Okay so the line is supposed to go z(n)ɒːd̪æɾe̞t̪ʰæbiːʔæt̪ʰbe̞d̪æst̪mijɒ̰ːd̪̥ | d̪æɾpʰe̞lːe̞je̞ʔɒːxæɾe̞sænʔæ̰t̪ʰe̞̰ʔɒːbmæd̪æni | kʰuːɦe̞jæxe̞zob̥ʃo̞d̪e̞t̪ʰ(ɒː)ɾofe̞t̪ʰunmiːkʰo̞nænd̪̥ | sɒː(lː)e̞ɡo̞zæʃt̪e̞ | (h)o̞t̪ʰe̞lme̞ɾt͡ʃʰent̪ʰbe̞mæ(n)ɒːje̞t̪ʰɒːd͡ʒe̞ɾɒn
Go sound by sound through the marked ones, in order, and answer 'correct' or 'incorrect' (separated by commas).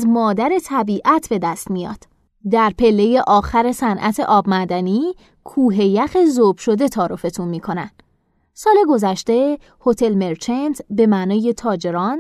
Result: incorrect, correct, incorrect, correct, correct